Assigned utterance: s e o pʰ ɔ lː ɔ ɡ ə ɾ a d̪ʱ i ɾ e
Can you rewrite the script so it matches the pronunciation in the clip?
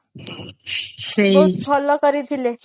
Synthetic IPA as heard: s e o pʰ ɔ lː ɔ k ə ɾ i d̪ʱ i l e